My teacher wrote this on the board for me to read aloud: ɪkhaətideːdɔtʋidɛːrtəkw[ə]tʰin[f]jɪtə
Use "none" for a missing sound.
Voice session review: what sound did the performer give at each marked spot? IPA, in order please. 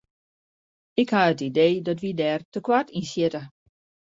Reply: a, s

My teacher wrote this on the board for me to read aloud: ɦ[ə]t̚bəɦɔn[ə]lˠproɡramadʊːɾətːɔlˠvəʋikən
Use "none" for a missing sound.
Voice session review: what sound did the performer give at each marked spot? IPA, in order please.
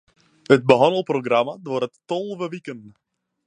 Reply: ə, ə

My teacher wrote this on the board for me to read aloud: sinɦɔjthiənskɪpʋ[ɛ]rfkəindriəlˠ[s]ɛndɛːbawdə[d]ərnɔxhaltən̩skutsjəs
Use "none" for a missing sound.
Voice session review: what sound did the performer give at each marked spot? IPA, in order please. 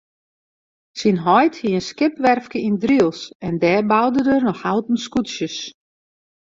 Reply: ɛ, s, d

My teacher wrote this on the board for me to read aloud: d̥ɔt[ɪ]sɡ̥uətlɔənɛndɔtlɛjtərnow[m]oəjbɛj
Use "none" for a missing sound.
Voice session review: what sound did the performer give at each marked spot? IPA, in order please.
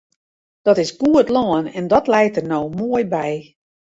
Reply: ɪ, m

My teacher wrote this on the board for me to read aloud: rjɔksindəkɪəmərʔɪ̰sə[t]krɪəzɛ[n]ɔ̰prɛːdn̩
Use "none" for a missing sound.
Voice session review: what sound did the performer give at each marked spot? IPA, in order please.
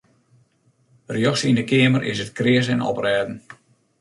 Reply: t, n

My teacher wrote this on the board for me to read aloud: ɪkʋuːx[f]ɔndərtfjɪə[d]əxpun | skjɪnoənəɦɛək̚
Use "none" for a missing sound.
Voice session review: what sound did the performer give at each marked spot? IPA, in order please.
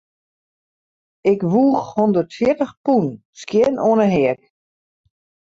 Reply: h, t

